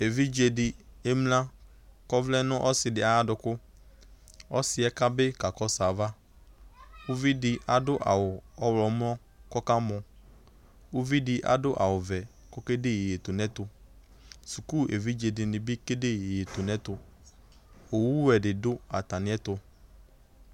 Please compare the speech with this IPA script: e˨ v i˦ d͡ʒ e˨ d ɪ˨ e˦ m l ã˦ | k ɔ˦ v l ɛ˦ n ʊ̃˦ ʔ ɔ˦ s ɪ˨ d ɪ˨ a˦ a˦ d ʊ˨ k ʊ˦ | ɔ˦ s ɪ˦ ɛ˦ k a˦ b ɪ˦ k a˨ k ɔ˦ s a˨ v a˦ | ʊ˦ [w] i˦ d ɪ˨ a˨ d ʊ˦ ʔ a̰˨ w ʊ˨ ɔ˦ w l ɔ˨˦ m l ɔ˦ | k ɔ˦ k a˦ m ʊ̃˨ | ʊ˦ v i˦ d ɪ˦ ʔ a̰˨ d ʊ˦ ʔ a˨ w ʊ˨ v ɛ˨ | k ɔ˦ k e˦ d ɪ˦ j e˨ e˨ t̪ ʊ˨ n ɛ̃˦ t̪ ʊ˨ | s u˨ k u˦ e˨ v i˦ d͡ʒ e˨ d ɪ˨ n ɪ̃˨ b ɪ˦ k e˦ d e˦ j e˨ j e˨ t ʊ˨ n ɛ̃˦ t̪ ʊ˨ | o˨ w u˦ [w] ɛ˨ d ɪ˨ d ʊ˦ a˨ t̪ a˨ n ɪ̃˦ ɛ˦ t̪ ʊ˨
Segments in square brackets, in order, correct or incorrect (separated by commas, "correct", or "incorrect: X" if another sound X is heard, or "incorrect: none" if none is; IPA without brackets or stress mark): incorrect: v, correct